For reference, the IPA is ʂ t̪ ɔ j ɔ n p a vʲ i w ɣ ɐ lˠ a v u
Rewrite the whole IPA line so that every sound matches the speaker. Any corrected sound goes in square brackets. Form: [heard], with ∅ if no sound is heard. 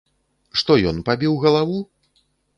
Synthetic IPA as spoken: ʂ t̪ ɔ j ɔ n p a [bʲ] i w ɣ ɐ lˠ a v u